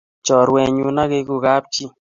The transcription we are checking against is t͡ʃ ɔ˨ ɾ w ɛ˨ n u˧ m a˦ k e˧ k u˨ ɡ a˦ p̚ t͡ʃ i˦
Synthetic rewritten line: t͡ʃ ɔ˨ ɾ w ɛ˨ ɲ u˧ n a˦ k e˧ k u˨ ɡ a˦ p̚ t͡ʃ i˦